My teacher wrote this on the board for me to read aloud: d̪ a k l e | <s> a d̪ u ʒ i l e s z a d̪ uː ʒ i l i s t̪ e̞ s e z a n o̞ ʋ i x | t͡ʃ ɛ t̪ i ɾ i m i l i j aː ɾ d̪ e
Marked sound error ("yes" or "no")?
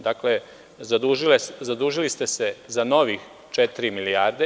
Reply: yes